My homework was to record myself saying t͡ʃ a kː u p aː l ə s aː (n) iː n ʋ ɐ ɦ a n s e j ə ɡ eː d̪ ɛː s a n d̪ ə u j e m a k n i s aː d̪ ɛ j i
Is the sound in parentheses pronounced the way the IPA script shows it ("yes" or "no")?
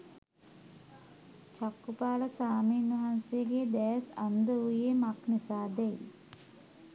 no